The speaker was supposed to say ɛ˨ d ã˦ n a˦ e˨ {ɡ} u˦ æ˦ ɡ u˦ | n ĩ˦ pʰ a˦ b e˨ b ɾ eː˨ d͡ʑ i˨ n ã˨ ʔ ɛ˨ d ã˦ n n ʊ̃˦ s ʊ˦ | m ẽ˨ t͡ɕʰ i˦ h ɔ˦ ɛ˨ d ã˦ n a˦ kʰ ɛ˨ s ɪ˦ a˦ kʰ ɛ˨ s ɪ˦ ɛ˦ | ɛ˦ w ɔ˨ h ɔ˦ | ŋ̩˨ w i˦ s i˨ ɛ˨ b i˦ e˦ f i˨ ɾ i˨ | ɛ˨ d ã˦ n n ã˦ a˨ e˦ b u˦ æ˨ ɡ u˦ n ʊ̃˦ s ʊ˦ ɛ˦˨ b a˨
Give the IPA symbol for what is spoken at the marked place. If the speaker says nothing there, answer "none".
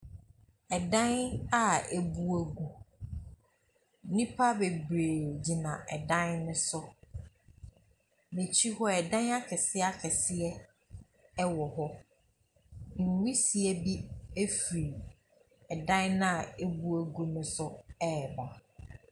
b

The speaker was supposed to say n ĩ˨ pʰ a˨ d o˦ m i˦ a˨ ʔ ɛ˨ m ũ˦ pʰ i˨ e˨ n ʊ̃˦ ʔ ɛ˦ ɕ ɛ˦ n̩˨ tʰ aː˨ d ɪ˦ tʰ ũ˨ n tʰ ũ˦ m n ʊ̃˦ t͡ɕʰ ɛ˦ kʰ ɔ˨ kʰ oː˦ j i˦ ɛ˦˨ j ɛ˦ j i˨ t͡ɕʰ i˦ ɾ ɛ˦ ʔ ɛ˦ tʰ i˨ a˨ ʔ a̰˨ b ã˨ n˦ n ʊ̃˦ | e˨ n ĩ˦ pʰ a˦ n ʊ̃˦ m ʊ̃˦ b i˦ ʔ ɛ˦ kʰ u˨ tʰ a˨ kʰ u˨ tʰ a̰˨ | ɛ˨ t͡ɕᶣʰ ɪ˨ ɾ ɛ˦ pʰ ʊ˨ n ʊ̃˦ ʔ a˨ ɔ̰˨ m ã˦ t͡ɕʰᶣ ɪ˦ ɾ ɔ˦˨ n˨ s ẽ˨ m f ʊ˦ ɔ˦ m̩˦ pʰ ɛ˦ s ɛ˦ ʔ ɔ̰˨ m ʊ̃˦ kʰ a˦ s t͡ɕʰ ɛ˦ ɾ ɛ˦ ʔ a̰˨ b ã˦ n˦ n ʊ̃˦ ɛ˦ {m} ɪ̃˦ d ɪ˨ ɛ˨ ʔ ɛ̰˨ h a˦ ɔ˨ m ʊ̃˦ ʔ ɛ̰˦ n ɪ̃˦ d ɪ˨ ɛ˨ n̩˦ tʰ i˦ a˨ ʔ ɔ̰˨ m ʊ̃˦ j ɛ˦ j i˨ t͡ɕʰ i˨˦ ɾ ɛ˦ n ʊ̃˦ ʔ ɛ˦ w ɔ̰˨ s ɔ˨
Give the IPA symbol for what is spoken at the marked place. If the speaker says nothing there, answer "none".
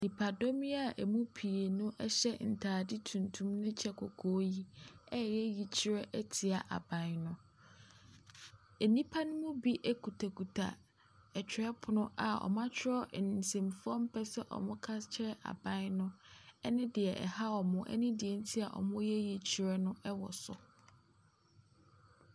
n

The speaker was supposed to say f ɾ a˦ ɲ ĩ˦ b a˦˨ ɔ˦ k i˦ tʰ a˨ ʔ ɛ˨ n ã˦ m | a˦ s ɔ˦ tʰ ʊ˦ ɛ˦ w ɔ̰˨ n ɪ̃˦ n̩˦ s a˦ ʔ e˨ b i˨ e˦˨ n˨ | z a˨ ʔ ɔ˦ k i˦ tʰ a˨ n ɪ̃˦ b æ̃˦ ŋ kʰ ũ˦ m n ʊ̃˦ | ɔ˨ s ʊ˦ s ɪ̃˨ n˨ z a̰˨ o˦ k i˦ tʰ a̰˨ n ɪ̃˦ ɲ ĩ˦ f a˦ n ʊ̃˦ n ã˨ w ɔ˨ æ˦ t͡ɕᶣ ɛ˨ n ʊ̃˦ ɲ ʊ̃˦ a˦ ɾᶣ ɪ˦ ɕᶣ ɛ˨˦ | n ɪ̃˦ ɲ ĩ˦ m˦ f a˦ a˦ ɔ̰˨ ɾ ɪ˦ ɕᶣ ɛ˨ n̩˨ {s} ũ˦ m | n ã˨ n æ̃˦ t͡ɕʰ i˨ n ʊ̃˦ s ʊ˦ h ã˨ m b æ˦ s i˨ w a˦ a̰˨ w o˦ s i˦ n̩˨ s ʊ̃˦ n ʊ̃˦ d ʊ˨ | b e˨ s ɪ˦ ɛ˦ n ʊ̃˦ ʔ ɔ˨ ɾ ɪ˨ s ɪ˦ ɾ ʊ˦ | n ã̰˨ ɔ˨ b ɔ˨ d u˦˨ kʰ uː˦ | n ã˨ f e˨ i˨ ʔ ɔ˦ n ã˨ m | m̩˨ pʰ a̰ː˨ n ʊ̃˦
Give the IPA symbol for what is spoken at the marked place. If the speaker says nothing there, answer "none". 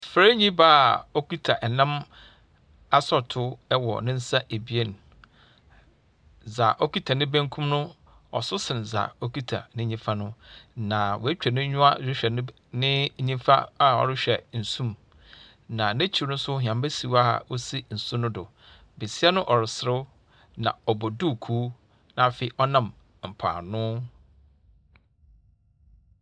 s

